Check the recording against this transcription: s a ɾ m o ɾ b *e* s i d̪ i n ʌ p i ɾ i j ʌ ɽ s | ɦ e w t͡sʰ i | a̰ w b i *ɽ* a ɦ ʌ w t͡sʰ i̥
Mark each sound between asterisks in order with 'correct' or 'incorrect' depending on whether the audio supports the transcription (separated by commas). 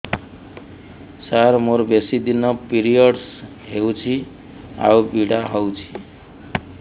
correct, correct